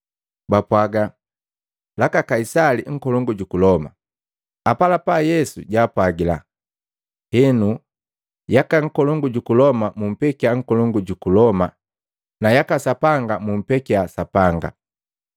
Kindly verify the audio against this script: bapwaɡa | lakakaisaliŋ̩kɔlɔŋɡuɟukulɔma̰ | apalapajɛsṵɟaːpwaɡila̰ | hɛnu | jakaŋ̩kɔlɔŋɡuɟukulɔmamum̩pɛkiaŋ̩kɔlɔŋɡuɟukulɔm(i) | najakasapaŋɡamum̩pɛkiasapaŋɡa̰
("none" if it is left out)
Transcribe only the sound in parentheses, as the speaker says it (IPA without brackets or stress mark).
a